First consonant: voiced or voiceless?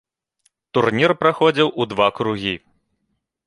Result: voiceless